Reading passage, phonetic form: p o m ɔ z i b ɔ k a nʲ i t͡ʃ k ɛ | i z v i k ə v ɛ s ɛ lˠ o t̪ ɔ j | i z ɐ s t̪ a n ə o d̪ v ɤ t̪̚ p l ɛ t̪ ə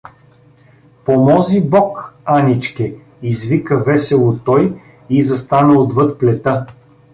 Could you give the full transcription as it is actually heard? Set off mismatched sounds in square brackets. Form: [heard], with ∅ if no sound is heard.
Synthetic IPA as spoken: p o m ɔ z i b ɔ k a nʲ i t͡ʃ k ɛ | i z v i k ə v ɛ s ɛ lˠ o t̪ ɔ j | i z ɐ s t̪ a n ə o d̪ v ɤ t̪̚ p l ɛ t̪ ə

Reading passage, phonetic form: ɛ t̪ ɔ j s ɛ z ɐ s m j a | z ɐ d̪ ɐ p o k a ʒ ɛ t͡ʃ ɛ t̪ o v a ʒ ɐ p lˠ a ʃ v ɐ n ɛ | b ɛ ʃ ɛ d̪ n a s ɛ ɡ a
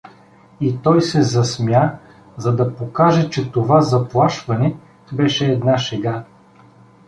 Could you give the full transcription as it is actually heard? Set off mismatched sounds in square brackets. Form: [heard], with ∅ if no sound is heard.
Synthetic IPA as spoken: [i] t̪ ɔ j s ɛ z ɐ s m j a | z ɐ d̪ ɐ p o k a ʒ ɛ t͡ʃ ɛ t̪ o v a [z] ɐ p lˠ a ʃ v ɐ n ɛ | b ɛ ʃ [ɛː] d̪ n a [ʃ] ɛ ɡ a

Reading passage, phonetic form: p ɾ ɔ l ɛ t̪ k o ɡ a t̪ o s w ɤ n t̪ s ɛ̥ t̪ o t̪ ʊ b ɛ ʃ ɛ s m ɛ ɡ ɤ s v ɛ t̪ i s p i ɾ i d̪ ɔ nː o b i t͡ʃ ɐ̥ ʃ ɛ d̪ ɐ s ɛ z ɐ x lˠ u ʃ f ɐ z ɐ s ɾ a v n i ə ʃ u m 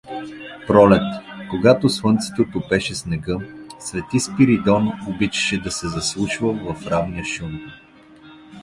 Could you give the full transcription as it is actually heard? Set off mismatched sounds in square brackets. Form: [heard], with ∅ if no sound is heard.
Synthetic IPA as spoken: p ɾ ɔ l ɛ t̪ k o ɡ a t̪ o s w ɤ n t̪ s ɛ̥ t̪ o t̪ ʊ [p] ɛ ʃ ɛ s [n] ɛ ɡ ɤ s v ɛ t̪ i s p i ɾ i d̪ ɔ [n] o b i t͡ʃ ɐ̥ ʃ ɛ d̪ ɐ s ɛ z ɐ [s] lˠ u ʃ [v] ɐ [v] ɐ [f] ɾ a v n i ə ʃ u m

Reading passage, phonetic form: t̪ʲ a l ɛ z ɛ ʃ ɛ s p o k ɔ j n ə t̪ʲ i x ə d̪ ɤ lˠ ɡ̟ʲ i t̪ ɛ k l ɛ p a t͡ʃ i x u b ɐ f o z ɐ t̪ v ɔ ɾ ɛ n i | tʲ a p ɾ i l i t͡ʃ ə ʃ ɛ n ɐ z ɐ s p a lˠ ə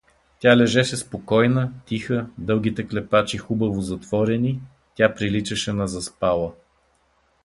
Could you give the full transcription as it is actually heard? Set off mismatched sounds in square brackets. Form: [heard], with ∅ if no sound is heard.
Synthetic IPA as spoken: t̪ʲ a l ɛ [ʒ] ɛ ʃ ɛ s p o k ɔ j n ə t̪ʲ i x ə d̪ ɤ lˠ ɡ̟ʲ i t̪ ɛ k l ɛ p a t͡ʃ i x u b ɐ [v] o z ɐ t̪ v ɔ ɾ ɛ n i | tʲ a p ɾ i l i t͡ʃ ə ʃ ɛ n ɐ z ɐ s p a lˠ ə

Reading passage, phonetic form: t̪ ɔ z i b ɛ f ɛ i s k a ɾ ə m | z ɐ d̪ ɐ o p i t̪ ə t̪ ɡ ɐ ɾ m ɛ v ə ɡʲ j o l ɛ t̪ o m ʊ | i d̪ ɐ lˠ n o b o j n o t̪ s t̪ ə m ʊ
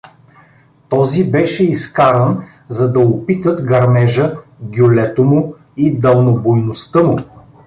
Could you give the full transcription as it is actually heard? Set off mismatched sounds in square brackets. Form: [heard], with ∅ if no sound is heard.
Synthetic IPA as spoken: t̪ ɔ z i b ɛ [ʃ] ɛ i s k a ɾ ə [n] | z ɐ d̪ ɐ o p i t̪ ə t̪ ɡ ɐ ɾ m ɛ [ʒ] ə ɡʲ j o l ɛ t̪ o m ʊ | i d̪ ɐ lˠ n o b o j n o [∅] s t̪ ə m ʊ

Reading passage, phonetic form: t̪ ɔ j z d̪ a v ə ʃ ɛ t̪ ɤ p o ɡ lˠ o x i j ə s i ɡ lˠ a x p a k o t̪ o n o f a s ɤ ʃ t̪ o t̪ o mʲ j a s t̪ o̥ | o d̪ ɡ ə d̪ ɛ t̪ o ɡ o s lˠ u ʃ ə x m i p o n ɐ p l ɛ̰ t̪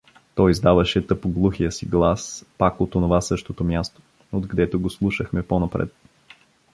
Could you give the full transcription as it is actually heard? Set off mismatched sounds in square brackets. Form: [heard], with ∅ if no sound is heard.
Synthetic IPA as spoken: t̪ ɔ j z d̪ a v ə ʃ ɛ t̪ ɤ p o ɡ lˠ [u] x i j ə s i ɡ lˠ a [s] p a k o t̪ o n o [v] a s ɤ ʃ t̪ o t̪ o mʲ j a s t̪ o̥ | o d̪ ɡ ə d̪ ɛ t̪ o ɡ o s lˠ u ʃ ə x m [ɛ] p o n ɐ p [ɾ] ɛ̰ t̪

